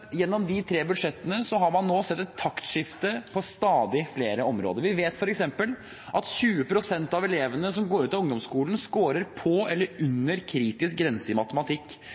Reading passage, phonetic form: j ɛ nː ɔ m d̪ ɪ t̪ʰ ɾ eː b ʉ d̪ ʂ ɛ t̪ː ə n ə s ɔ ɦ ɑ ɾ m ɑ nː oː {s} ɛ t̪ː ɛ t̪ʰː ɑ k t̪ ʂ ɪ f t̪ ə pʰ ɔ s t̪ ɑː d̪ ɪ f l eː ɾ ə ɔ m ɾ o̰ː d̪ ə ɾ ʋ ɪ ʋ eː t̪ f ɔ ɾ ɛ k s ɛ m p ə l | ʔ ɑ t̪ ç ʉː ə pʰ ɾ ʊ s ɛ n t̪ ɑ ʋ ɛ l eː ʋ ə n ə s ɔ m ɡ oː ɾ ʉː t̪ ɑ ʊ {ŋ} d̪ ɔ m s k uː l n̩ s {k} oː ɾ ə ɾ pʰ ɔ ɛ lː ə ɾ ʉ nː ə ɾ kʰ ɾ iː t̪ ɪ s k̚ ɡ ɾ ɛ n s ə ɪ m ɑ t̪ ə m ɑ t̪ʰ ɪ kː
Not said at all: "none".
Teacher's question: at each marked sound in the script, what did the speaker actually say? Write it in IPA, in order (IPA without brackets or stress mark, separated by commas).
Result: s, ŋ, k